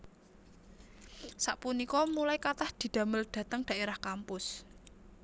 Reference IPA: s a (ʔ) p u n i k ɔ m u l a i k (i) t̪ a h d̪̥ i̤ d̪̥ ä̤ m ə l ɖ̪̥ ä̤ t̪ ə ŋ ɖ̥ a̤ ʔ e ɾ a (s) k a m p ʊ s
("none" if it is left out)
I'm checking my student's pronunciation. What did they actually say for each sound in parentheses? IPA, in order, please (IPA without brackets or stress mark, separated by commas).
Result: ʔ, a, h